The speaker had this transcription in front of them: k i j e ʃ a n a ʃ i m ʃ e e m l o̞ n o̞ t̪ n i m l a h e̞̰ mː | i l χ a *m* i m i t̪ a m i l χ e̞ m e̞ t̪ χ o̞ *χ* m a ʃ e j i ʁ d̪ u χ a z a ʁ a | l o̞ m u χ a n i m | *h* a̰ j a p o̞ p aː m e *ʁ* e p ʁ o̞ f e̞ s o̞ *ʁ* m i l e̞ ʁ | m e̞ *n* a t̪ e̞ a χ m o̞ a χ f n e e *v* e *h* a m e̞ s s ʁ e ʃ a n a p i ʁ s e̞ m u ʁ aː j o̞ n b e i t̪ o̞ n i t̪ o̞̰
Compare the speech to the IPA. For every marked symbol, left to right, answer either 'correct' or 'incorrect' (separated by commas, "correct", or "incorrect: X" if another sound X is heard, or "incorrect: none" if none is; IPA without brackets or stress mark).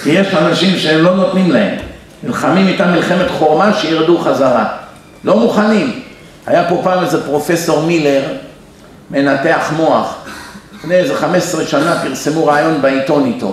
correct, incorrect: ʁ, correct, incorrect: z, correct, correct, incorrect: z, incorrect: χ